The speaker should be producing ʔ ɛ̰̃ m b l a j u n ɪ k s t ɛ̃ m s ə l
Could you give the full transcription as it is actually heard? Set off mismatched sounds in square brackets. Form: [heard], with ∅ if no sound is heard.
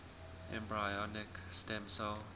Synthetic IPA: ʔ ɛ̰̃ m b [ɹ] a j [ɔ] n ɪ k s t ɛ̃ m s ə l